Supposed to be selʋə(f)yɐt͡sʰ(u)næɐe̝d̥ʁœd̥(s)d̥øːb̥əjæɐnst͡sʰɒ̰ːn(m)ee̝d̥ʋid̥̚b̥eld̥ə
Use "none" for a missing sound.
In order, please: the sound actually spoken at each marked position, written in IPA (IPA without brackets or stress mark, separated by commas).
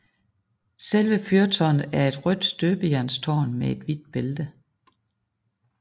f, ɒ, s, m